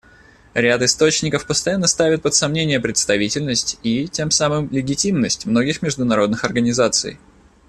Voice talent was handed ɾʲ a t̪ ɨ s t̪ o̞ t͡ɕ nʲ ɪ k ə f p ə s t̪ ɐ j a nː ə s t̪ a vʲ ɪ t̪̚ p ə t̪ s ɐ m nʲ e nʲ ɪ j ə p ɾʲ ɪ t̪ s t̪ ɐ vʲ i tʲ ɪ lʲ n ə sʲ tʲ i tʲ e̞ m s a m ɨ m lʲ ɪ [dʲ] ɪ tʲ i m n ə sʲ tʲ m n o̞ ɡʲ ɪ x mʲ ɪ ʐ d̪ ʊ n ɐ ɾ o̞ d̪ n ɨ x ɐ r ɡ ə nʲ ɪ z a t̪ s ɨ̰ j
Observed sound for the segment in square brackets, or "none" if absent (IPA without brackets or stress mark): ɡʲ